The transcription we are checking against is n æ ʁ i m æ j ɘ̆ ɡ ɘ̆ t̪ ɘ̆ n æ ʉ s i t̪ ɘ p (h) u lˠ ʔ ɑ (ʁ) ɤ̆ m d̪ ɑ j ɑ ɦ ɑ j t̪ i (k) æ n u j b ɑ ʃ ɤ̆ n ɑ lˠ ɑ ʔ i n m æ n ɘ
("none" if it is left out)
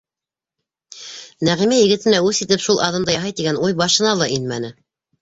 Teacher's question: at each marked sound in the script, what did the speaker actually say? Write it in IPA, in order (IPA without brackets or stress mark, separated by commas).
ʃ, ð, ɡ